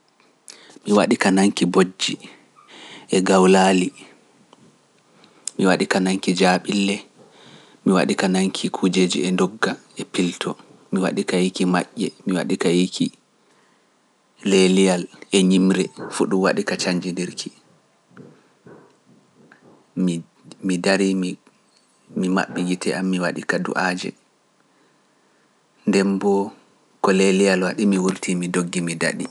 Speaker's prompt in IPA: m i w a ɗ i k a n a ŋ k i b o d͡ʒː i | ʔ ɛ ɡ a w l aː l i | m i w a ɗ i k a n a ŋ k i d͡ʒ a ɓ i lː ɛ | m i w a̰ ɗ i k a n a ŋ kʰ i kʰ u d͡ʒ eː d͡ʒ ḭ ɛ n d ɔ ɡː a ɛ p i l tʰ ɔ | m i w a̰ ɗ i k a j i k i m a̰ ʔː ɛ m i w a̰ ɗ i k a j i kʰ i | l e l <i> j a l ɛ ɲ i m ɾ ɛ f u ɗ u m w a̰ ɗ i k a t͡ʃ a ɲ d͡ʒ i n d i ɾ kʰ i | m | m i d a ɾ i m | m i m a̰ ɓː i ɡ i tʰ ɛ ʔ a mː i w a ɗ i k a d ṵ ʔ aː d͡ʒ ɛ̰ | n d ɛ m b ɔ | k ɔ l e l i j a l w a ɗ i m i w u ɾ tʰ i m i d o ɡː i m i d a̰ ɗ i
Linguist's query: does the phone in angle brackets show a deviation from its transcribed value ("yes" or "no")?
no